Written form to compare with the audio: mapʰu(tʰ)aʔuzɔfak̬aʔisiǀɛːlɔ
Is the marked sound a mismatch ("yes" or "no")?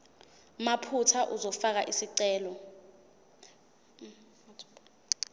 no